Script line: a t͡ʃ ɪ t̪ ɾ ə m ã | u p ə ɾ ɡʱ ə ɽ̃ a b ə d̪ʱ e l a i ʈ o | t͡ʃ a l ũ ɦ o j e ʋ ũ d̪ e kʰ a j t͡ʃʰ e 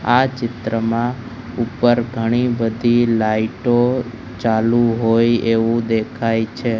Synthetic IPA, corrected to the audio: a t͡ʃ ɪ t̪ ɾ ə m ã | u p ə ɾ ɡʱ ə ɽ̃ i b ə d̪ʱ i l a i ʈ o | t͡ʃ a l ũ ɦ o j e ʋ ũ d̪ e kʰ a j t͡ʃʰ e